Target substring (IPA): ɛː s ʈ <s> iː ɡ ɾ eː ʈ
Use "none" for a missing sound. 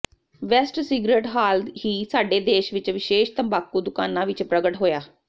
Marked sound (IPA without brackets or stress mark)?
s